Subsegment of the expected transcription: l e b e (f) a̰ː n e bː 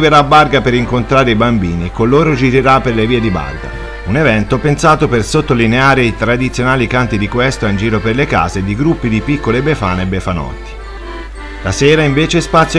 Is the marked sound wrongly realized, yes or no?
no